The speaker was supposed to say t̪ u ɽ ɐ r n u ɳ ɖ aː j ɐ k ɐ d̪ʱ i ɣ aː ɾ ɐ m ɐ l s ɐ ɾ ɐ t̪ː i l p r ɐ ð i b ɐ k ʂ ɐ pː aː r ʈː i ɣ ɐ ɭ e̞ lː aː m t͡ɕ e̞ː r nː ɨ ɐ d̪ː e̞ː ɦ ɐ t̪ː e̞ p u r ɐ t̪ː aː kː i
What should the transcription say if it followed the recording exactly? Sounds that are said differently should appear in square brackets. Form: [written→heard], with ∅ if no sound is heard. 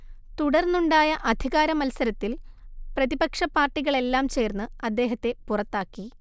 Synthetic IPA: t̪ u ɽ ɐ r n u ɳ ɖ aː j ɐ [k→ʔ] ɐ d̪ʱ i ɣ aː ɾ ɐ m ɐ l s ɐ ɾ ɐ t̪ː i l p r ɐ ð i b ɐ k ʂ ɐ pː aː r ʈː i ɣ ɐ ɭ e̞ lː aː m t͡ɕ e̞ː r nː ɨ ɐ d̪ː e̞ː ɦ ɐ t̪ː e̞ p u r ɐ t̪ː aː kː i